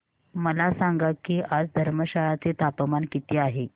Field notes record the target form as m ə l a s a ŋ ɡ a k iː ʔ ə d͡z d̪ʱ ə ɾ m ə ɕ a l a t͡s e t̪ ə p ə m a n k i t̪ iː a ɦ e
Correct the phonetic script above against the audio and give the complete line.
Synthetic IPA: m ə l a s a ŋ ɡ a k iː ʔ a d͡z d̪ʱ ə ɾ m ə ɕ a ɭ a t͡s e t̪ a p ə m a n k i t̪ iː a ɦ e

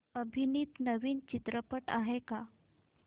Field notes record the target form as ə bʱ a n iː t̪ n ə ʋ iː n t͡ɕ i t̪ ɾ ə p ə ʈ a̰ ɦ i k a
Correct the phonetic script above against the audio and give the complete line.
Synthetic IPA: ə bʱ i n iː t̪ n ə ʋ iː n t͡ɕ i t̪ ɾ ə p ə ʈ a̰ ɦ e k a

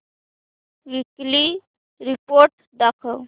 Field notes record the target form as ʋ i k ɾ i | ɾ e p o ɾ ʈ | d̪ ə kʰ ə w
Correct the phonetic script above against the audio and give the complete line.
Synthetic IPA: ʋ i k l i | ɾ i p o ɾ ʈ | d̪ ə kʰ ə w

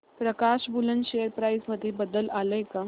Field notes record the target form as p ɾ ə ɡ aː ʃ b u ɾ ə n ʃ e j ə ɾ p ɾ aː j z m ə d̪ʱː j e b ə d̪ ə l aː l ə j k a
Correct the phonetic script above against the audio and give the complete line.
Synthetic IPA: p ɾ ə k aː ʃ b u l ə n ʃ e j ə ɾ p ɾ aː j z m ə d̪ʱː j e b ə d̪ ə l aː l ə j k a

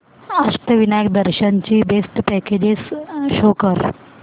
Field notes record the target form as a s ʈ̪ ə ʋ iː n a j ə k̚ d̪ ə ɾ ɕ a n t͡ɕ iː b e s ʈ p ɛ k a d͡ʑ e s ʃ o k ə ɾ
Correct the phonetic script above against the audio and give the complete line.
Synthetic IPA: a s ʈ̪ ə ʋ i n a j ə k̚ d̪ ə ɾ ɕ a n t͡ɕ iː b e s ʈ p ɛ k e d͡ʑ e s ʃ o k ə ɾ

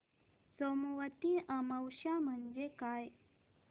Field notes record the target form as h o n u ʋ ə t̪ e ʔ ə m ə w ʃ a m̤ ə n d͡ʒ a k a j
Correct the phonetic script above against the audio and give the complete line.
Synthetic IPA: s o m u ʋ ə t̪ i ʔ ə m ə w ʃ a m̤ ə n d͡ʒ e k a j

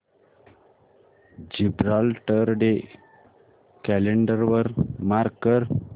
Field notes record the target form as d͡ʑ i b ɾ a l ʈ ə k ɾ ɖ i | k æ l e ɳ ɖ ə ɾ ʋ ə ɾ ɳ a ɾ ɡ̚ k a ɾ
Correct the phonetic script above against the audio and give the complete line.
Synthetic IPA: d͡ʑ i b ɾ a l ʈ ə ɾ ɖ e | k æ l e ɳ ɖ ə ɾ ʋ ə ɾ m a ɾ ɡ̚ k ə ɾ

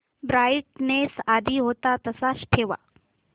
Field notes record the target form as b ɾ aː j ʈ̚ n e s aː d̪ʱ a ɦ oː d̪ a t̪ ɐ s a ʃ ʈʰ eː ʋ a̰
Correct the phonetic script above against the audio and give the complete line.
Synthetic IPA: b ɾ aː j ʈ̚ n e s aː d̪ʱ i ɦ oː t̪ a t̪ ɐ s a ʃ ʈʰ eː ʋ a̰

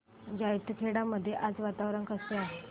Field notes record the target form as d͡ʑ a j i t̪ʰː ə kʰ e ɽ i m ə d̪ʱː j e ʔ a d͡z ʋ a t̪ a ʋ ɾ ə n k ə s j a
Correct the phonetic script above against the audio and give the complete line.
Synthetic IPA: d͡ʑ a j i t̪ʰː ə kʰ e ɽ a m ə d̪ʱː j e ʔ a d͡z ʋ a t̪ a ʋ ɾ ə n k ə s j a

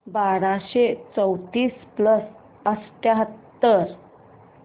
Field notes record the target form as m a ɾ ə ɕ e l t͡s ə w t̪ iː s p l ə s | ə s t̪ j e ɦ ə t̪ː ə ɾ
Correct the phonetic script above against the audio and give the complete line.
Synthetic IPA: b a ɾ a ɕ e t͡s ə w t̪ iː s p l ə s | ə s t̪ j a ɦ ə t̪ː ə ɾ

